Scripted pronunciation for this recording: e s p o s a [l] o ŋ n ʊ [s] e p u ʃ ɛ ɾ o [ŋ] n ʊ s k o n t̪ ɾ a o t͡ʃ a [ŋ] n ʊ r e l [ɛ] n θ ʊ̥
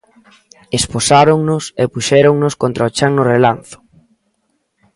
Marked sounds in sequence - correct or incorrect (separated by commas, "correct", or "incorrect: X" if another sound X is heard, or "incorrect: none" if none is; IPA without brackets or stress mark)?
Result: incorrect: ɾ, correct, correct, correct, incorrect: a